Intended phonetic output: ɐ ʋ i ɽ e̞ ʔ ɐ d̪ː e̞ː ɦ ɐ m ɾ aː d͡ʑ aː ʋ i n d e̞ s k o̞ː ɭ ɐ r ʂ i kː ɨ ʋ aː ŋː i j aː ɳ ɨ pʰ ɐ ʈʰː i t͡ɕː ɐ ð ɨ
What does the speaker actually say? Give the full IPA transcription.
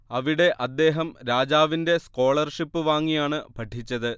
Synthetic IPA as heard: ɐ ʋ i ɽ e̞ ʔ ɐ d̪ː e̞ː ɦ ɐ m ɾ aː d͡ʑ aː ʋ i n d e̞ s k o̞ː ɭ ɐ r ʂ i pː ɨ ʋ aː ŋː i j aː ɳ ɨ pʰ ɐ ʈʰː i t͡ɕː ɐ ð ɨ